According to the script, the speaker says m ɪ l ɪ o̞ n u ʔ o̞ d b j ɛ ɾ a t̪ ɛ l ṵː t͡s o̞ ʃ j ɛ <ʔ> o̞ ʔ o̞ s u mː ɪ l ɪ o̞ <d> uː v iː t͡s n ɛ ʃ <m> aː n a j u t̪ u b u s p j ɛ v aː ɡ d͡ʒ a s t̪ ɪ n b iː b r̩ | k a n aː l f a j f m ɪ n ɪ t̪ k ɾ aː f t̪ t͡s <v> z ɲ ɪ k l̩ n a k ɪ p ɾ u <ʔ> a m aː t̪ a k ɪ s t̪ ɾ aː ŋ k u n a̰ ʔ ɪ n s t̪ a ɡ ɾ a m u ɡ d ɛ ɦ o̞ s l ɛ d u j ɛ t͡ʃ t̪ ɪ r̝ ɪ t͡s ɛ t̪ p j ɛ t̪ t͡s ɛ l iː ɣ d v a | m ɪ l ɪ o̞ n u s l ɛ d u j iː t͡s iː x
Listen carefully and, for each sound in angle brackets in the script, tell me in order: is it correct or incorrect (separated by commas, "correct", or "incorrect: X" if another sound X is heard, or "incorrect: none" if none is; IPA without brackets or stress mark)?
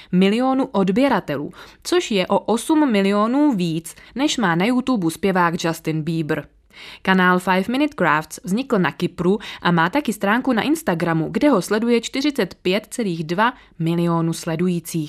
correct, incorrect: n, correct, correct, correct